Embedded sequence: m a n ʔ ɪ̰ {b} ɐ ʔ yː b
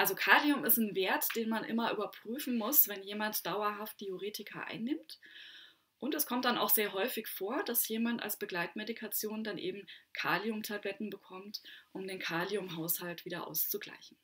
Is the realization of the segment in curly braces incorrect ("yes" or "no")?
yes